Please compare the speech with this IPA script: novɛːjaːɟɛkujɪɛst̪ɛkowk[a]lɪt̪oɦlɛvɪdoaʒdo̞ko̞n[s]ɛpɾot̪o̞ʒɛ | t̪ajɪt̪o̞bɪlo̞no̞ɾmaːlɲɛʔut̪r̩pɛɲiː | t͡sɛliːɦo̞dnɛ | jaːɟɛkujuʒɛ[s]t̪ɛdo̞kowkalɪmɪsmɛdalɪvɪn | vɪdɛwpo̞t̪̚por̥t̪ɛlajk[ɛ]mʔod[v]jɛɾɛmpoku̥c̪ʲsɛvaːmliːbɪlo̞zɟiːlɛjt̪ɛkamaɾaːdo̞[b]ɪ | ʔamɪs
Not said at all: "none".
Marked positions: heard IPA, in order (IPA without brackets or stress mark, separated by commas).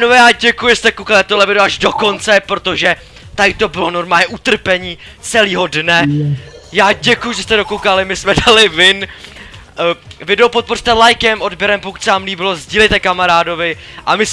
a, t͡s, s, ɛ, b, v